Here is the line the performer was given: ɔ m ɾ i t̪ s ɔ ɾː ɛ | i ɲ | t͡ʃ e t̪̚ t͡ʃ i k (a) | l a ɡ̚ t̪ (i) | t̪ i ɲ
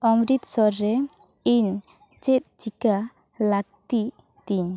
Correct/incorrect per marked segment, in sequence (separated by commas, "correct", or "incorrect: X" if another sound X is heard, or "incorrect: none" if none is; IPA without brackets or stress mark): correct, correct